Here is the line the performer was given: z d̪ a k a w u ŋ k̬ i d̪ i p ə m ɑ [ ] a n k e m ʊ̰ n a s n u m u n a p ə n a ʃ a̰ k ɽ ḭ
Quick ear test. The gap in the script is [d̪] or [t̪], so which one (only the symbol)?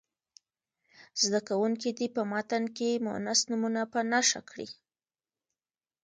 t̪